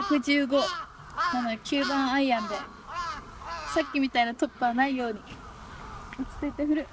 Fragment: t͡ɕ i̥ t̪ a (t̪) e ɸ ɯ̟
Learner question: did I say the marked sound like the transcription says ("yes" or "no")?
yes